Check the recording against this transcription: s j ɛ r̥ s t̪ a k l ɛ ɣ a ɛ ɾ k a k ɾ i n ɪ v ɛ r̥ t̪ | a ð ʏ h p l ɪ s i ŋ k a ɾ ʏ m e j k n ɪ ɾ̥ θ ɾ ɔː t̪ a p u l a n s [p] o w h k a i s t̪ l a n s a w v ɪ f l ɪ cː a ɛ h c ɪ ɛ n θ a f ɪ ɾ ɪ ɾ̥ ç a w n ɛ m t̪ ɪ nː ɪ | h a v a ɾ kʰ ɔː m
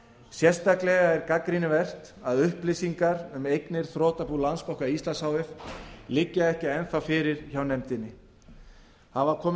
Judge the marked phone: correct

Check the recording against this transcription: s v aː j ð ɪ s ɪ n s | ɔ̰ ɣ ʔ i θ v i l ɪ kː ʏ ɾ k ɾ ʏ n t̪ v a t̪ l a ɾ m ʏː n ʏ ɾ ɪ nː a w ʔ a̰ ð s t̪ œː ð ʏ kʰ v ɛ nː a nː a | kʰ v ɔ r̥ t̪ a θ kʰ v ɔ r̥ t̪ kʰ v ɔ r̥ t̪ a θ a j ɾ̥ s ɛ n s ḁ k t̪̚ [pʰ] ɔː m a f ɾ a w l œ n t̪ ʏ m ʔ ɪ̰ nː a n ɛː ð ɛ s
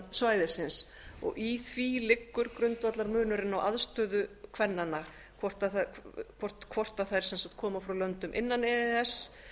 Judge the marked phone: incorrect: kʰ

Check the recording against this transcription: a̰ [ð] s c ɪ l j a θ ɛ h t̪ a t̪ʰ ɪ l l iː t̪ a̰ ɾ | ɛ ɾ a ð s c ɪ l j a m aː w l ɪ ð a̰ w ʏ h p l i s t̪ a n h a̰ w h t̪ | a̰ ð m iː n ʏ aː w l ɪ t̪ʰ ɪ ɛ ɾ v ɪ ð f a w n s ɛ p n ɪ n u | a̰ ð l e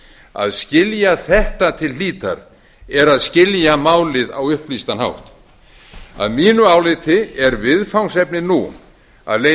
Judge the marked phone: correct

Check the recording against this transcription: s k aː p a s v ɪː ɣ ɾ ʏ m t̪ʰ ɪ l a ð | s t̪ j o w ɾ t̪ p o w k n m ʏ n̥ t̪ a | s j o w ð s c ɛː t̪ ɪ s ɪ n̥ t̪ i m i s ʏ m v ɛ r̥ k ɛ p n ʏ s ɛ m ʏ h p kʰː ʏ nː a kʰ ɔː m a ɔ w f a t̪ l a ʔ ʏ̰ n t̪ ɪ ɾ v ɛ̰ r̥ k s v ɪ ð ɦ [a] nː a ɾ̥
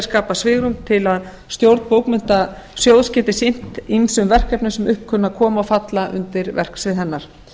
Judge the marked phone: incorrect: ɛ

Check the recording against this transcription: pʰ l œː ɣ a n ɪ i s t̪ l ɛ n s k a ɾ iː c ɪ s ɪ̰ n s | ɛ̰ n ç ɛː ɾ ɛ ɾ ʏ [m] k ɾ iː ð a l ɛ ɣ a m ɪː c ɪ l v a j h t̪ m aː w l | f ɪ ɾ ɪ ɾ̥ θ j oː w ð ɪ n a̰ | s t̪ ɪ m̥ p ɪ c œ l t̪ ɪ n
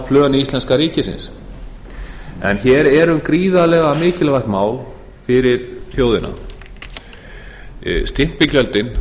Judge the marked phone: correct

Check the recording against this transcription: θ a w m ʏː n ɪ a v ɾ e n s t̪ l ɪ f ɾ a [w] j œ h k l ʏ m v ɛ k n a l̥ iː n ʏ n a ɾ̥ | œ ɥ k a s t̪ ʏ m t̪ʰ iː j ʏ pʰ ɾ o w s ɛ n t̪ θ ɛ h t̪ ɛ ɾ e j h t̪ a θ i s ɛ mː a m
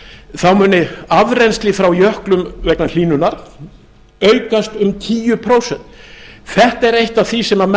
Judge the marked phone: correct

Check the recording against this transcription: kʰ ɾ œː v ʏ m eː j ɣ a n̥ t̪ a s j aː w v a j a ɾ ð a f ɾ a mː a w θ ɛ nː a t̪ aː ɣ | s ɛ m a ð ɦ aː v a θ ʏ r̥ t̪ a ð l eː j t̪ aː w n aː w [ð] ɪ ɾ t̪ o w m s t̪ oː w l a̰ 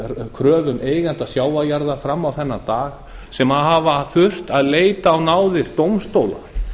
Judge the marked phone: correct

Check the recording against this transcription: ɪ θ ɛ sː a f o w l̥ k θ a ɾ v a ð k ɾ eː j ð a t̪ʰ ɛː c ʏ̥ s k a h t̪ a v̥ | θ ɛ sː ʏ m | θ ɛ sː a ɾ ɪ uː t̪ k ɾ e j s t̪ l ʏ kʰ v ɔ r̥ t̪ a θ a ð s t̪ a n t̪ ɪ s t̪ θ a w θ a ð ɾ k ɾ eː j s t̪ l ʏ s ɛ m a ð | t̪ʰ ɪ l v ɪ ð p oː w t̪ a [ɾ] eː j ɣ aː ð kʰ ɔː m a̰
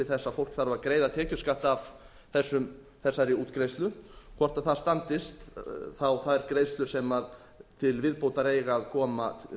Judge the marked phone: correct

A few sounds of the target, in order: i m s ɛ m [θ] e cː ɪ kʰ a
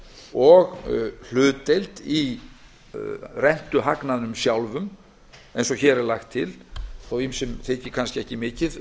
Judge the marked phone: correct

